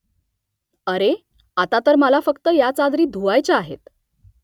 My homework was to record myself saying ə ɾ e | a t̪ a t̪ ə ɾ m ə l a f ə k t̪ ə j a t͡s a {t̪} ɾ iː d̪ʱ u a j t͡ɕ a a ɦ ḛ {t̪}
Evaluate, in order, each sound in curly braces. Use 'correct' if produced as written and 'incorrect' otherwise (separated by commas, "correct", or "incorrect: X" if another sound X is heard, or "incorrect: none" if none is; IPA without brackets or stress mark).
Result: incorrect: d̪, correct